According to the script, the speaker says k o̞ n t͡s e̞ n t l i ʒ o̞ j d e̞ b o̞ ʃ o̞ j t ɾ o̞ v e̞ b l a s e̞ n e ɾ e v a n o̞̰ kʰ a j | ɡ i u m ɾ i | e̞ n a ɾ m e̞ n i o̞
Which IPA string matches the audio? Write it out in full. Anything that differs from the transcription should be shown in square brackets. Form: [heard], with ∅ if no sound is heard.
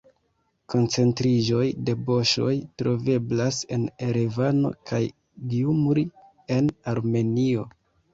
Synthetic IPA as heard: k o̞ n t͡s e̞ n t [ɾ] i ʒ o̞ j d e̞ b o̞ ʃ o̞ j t ɾ o̞ v e̞ b l a s e̞ n e ɾ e v a n o̞̰ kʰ a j | ɡ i u m ɾ i | e̞ n a ɾ m e̞ n i o̞